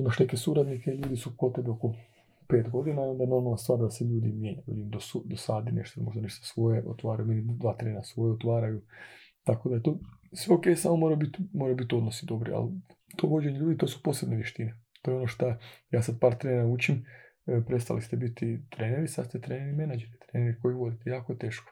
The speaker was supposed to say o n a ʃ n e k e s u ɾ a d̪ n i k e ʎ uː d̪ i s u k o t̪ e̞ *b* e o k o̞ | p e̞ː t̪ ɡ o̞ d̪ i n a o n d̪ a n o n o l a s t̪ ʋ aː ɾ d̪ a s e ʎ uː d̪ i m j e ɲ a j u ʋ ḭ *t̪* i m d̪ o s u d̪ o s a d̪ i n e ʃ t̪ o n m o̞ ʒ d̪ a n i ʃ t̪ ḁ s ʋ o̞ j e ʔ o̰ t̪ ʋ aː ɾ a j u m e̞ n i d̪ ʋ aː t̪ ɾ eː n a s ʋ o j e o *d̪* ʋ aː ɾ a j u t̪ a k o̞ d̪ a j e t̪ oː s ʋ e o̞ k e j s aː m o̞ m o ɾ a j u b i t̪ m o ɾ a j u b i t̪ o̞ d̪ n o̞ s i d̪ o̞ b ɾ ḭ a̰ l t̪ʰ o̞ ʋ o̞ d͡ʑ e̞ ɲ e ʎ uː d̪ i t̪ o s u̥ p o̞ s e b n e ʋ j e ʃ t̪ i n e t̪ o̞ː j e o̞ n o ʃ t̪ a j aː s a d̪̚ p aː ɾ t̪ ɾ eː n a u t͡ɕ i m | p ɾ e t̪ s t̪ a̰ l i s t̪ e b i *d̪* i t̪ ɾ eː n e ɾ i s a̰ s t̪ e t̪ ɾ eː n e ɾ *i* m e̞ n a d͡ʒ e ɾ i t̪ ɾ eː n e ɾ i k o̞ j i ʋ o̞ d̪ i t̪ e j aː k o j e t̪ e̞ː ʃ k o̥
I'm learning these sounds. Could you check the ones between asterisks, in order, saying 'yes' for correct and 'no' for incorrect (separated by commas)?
yes, no, no, no, yes